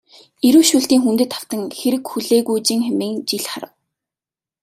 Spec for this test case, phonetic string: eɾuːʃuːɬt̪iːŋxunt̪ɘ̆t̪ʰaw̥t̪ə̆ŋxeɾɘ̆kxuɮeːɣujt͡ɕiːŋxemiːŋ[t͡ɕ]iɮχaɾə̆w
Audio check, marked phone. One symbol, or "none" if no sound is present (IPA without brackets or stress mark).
t͡ɕ